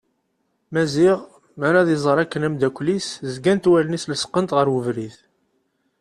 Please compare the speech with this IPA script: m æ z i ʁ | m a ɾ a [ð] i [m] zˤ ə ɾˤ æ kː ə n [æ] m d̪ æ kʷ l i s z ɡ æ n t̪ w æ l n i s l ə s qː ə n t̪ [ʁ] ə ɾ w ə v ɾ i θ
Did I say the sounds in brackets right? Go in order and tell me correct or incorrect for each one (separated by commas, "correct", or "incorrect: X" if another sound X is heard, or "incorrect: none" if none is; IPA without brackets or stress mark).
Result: correct, incorrect: none, correct, correct